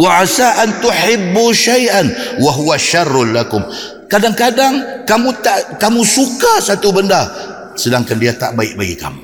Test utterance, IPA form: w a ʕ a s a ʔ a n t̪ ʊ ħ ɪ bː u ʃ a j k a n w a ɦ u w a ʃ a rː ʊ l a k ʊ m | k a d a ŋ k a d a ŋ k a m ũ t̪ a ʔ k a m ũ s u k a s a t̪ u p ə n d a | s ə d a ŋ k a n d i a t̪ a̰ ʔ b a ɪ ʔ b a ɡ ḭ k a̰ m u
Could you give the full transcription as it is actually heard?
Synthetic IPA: w a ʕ a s a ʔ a n t̪ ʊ ħ ɪ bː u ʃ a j ʔ a n w a ɦ u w a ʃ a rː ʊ l a k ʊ m | k a d a ŋ k a d a ŋ k a m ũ t̪ a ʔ k a m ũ s u k a s a t̪ u b ə n d a | s ə d a ŋ k a n d i a t̪ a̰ ʔ b a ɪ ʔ b a ɡ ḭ k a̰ m u